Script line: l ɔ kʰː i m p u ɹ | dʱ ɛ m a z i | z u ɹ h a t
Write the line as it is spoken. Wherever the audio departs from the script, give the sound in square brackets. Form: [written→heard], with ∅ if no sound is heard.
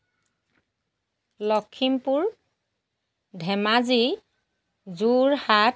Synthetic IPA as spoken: l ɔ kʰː i m p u ɹ | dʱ ɛ m a z i | z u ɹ h a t

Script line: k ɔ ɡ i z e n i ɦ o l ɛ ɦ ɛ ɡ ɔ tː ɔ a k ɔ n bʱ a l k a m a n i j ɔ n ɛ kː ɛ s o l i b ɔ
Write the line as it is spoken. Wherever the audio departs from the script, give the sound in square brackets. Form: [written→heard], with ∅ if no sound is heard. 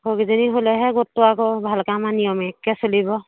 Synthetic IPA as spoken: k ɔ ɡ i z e n i ɦ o l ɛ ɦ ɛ ɡ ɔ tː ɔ a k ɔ [n→∅] bʱ a l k a m a n i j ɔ [n→m] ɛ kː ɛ s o l i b ɔ

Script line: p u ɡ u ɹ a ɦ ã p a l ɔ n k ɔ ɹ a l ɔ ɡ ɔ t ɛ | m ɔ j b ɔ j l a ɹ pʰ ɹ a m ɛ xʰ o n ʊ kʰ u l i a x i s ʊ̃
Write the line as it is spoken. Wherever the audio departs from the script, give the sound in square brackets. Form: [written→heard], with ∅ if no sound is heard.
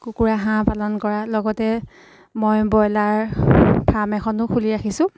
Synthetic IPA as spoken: [p→k] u [ɡ→k] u ɹ a ɦ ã p a l ɔ n k ɔ ɹ a l ɔ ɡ ɔ t ɛ | m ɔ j b ɔ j l a ɹ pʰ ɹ a m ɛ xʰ [o→ɔ] n ʊ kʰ u l i a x i s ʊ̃

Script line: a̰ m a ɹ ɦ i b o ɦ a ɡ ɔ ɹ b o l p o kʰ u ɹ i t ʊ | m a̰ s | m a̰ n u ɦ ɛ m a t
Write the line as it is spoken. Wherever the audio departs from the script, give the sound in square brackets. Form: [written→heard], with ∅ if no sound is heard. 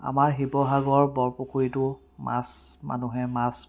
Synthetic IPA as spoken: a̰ m a ɹ ɦ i b [o→ɔ] ɦ a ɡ ɔ ɹ b [o→ɔ] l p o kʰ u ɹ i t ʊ | m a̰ s | m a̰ n u ɦ ɛ m a [t→s]

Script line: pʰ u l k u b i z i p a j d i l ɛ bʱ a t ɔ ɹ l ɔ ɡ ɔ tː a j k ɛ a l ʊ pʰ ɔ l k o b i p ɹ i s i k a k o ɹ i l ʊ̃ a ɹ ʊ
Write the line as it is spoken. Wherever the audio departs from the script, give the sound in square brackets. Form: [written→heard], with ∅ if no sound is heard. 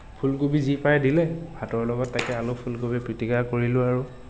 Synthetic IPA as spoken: pʰ u l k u b i z i p a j d i l ɛ bʱ a t ɔ ɹ l ɔ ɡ ɔ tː a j k ɛ a l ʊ pʰ [ɔ→u] l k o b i p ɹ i [s→t] i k a k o ɹ i l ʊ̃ a ɹ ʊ

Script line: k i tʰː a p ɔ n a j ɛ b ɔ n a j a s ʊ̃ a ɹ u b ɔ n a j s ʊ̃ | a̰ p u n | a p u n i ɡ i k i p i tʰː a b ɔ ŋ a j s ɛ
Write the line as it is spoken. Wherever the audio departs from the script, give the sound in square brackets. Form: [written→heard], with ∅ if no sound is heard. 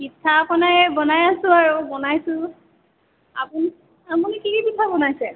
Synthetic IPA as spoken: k i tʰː a p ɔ n a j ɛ b ɔ n a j a s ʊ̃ a ɹ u b ɔ n a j s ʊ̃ | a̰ p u n | a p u n i [ɡ→k] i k i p i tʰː a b ɔ [ŋ→n] a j s ɛ

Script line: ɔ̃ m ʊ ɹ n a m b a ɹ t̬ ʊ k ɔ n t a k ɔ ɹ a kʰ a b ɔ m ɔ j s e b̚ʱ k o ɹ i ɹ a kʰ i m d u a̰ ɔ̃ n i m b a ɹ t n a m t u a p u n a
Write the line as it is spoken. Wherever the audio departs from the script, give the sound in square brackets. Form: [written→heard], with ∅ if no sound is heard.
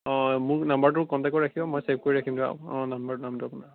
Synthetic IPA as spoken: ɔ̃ m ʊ ɹ n a m b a ɹ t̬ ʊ k ɔ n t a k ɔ ɹ a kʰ [a→i] b ɔ m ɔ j s e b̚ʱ k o ɹ i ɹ a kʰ i m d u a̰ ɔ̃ n [i→a] m b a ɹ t n a m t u a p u n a

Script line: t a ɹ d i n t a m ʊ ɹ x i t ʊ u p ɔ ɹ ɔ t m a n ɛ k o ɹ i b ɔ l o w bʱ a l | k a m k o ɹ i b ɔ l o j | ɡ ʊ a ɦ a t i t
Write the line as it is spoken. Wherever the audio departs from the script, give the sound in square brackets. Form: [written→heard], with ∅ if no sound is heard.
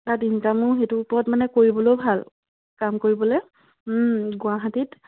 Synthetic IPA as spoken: t a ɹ d i n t a m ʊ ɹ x [i→e] t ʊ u p ɔ ɹ ɔ t m a n ɛ k o ɹ i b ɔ l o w bʱ a l | k a m k o ɹ i b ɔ l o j | ɡ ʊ a ɦ a t i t

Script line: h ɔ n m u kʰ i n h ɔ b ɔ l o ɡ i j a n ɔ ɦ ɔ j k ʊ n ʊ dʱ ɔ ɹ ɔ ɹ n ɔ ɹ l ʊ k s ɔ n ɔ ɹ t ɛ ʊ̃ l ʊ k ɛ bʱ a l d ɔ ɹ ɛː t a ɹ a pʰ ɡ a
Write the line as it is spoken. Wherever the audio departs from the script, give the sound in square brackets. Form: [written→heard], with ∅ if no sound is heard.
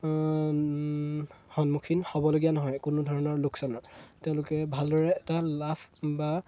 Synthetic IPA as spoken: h ɔ n m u kʰ i n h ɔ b ɔ l o ɡ i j a n ɔ ɦ ɔ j k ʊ n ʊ dʱ ɔ ɹ ɔ [ɹ→∅] n ɔ ɹ l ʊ k s ɔ n ɔ ɹ t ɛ ʊ̃ l ʊ k ɛ bʱ a l d ɔ ɹ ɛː t a [ɹ→l] a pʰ [ɡ→b] a

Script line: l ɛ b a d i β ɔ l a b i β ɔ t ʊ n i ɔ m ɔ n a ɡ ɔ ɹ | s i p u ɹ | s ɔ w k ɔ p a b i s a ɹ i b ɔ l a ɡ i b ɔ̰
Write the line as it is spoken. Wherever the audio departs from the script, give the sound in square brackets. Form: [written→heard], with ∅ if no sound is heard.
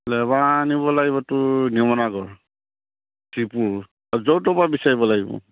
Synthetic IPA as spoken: l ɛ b a [d→n] i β ɔ l a [b→ɡ] i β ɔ t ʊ n i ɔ m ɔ n a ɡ ɔ ɹ | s i p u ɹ | [s→z] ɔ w [k→t] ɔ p a b i s a ɹ i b ɔ l a ɡ i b ɔ̰

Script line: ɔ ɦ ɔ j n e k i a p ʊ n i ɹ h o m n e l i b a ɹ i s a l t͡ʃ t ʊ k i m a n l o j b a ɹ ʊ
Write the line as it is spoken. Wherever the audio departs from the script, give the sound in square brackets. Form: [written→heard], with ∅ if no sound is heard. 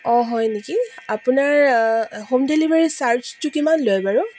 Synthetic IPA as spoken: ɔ ɦ ɔ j n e k i a p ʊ n [i→a] ɹ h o m [n→d] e l i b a ɹ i s a [l→ɹ] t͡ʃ t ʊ k i m a n l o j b a ɹ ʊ

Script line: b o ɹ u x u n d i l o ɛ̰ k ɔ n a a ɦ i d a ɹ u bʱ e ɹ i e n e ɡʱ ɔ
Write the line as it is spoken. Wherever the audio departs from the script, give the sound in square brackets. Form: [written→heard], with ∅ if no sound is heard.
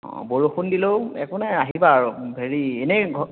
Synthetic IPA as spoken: b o ɹ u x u n d i l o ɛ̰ k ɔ n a a ɦ i [d→b] a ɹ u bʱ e ɹ i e n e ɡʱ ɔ

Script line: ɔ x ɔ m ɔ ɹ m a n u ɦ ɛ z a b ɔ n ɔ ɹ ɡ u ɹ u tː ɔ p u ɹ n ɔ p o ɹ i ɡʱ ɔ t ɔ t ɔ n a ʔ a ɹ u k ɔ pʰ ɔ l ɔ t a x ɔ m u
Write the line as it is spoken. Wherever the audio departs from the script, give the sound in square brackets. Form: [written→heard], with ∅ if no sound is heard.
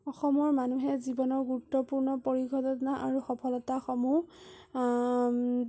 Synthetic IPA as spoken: ɔ x ɔ m ɔ ɹ m a n u ɦ ɛ z [a→i] b ɔ n ɔ ɹ ɡ u ɹ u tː ɔ p u ɹ n ɔ p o ɹ i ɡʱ ɔ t ɔ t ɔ n a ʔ a ɹ u [k→x] ɔ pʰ ɔ l ɔ t a x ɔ m u

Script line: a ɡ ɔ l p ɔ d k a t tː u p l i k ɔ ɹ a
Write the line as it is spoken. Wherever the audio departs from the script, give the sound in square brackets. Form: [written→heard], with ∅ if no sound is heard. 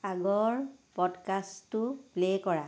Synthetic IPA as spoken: a ɡ ɔ [l→ɹ] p ɔ d k a [t→s] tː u p l [i→e] k ɔ ɹ a

